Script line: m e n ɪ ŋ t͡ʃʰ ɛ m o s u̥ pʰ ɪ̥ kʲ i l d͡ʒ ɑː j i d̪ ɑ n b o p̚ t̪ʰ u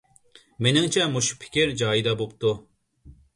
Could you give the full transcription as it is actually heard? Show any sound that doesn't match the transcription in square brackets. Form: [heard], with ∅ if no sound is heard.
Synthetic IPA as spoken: m e n ɪ ŋ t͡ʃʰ ɛ m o [ʃ] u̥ pʰ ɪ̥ kʲ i [ɾ] d͡ʒ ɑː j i d̪ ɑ [∅] b o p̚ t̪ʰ u